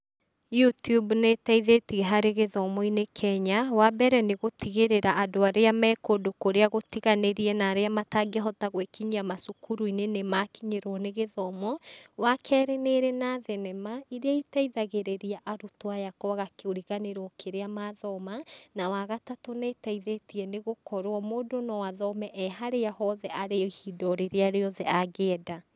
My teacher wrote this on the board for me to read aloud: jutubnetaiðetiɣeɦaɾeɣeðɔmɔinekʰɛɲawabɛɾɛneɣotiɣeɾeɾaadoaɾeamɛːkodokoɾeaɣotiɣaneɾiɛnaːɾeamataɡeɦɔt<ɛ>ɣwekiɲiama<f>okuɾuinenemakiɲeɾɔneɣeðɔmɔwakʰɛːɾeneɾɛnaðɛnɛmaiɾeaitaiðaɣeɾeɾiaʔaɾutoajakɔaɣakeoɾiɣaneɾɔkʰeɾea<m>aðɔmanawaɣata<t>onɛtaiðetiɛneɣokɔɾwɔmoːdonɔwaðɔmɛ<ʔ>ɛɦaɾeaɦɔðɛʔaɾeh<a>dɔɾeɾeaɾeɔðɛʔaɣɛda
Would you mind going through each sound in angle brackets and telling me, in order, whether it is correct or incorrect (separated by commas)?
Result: incorrect, incorrect, correct, correct, correct, incorrect